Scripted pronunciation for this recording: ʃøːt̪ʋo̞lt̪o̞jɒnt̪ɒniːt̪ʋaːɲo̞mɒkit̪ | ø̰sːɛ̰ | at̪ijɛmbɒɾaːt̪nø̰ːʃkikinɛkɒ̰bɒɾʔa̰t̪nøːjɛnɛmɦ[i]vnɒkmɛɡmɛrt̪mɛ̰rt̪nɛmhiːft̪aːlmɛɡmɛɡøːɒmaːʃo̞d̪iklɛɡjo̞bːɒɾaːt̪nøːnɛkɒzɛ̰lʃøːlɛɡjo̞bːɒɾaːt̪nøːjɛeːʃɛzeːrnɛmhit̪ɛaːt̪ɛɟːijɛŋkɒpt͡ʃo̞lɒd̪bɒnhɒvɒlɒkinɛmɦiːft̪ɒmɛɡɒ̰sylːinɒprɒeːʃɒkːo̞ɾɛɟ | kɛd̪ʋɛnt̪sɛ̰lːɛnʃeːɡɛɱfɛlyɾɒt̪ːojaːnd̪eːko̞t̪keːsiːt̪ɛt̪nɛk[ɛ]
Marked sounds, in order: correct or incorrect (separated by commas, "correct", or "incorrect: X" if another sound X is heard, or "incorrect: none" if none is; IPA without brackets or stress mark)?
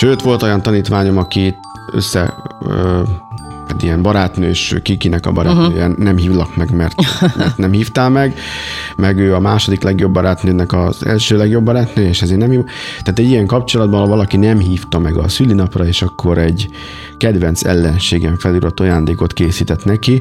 incorrect: iː, incorrect: i